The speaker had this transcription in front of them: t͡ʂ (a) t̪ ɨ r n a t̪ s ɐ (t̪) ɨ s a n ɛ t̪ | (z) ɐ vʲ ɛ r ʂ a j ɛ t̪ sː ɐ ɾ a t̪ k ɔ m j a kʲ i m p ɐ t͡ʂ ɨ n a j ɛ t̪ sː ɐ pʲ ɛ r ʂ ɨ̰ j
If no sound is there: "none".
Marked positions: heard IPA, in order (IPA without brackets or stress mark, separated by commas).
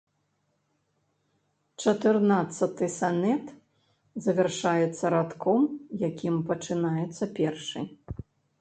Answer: ɐ, t̪, z